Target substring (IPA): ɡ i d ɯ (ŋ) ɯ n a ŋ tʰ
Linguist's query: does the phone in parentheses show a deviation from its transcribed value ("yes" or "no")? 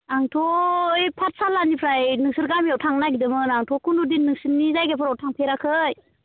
yes